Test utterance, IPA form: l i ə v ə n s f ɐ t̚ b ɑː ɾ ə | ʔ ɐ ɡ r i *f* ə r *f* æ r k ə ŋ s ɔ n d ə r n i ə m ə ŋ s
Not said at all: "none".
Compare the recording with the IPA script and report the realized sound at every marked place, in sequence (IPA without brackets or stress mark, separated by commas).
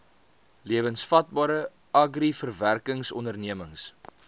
f, v